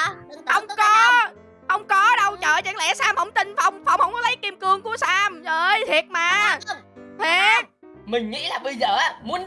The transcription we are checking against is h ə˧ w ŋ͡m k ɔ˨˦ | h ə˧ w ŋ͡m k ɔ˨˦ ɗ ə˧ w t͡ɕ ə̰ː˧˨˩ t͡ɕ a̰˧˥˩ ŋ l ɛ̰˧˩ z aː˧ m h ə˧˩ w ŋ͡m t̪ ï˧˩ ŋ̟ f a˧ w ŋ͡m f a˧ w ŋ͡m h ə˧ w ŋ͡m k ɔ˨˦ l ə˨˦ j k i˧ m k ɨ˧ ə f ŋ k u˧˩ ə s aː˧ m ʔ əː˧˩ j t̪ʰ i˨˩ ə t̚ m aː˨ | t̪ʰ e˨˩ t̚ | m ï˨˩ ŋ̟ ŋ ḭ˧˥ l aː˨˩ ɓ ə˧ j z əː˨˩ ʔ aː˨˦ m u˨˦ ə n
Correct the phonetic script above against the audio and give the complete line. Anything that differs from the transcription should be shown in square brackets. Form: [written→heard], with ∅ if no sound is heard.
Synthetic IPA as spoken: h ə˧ w ŋ͡m k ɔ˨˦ | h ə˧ w ŋ͡m k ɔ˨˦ ɗ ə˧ w t͡ɕ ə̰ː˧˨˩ t͡ɕ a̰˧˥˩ ŋ l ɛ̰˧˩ [z→s] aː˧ m h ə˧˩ w ŋ͡m t̪ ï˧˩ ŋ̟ f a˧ w ŋ͡m f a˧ w ŋ͡m h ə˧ w ŋ͡m k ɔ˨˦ l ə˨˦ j k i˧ m k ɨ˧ ə [f→∅] ŋ k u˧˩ ə s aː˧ m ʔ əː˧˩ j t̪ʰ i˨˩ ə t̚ m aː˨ | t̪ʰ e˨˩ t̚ | m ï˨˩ ŋ̟ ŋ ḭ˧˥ l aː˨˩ ɓ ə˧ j z əː˨˩ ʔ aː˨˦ m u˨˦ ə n